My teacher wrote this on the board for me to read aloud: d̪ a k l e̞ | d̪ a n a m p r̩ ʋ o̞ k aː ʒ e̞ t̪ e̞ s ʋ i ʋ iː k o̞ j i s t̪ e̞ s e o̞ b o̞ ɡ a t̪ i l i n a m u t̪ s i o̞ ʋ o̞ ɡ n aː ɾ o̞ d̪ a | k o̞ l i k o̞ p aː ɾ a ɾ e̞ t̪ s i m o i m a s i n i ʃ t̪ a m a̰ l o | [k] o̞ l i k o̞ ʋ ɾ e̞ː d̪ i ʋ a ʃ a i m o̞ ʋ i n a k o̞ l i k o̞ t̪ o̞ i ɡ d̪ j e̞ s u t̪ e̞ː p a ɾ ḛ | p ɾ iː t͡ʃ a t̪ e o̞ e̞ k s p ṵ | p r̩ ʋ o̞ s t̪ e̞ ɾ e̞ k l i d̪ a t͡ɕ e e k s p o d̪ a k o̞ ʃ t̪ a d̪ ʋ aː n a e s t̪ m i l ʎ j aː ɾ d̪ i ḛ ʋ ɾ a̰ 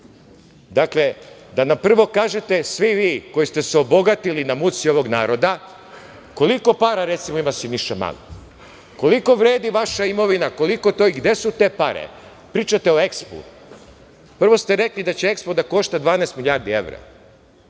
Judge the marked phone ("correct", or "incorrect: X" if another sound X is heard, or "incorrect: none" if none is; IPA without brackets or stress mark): correct